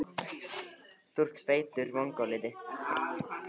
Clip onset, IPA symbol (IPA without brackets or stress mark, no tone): θ